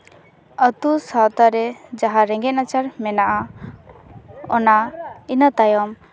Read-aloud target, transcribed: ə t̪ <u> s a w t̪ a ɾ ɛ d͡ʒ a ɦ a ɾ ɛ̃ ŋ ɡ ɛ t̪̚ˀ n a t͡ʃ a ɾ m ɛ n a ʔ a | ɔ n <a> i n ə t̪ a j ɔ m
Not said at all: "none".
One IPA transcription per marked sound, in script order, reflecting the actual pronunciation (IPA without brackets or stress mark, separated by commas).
u, a